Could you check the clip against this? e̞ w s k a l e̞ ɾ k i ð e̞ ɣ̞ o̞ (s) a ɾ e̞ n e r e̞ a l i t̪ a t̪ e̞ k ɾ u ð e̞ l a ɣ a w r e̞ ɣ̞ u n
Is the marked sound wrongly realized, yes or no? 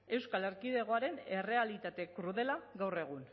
yes